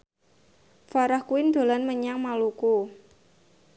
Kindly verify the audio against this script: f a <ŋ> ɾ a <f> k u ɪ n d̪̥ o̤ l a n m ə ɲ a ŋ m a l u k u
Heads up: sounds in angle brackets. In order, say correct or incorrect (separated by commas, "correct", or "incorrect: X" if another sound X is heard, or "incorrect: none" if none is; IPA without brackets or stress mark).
incorrect: none, incorrect: h